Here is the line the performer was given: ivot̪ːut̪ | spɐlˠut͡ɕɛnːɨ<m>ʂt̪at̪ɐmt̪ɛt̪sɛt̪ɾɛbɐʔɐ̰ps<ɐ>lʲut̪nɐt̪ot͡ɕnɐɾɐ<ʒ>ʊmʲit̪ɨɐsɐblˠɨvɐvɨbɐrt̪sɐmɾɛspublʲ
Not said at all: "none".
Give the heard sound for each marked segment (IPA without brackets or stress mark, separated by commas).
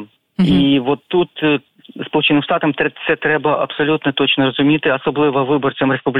m, ɐ, z